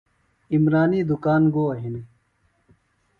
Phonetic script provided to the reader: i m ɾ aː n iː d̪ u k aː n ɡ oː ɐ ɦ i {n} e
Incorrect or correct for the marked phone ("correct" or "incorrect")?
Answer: correct